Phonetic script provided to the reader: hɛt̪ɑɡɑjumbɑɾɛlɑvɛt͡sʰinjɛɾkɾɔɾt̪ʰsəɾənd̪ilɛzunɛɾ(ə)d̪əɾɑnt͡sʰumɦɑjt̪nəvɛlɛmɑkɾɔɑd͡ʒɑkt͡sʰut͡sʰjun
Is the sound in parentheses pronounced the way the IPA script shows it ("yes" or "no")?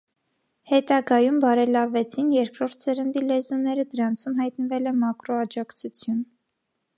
yes